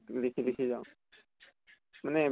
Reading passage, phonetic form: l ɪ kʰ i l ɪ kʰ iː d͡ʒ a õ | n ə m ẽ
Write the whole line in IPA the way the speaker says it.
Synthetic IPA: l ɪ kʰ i l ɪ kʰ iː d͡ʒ a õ | m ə n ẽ